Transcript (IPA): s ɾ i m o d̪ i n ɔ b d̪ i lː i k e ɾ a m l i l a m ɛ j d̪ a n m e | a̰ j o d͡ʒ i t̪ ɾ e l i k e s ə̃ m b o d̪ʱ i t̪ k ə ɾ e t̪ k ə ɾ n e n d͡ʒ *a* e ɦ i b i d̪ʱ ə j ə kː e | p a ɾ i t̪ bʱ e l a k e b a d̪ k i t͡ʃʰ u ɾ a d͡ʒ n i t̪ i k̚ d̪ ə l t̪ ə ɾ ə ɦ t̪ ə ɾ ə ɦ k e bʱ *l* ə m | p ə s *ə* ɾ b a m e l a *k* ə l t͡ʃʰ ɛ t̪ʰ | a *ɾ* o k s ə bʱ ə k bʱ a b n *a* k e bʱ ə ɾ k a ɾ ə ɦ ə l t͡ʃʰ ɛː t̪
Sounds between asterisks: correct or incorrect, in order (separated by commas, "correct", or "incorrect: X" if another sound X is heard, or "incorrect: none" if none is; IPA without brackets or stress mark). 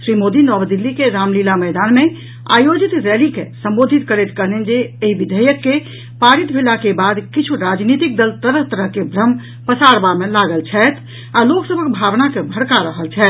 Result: incorrect: e, incorrect: ɾ, incorrect: a, incorrect: ɡ, incorrect: l, correct